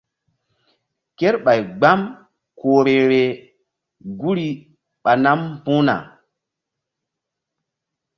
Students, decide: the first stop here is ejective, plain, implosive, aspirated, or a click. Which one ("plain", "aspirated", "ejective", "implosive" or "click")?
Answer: plain